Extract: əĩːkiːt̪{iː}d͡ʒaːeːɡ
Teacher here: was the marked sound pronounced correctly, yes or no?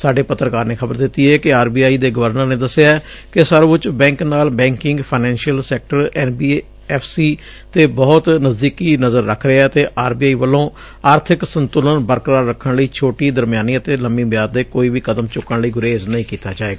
no